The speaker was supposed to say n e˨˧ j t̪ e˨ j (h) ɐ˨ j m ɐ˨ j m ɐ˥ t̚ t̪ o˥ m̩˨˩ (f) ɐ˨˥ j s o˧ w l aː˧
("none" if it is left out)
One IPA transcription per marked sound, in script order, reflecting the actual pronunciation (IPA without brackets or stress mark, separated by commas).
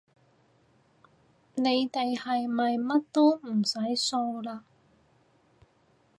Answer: h, s